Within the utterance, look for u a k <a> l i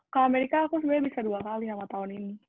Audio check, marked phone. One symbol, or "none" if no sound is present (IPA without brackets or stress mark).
a